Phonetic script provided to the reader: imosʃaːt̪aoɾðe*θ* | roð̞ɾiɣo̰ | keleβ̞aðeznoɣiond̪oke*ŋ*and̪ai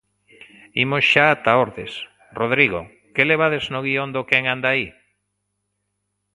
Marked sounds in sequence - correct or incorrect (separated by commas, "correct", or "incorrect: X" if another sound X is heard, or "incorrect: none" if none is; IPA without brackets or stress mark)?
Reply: incorrect: s, correct